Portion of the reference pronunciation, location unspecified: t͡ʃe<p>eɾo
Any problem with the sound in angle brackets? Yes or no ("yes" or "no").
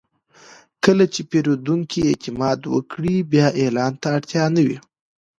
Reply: no